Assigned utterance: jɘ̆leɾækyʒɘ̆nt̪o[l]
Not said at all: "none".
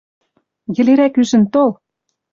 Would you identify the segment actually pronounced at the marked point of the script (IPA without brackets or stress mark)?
l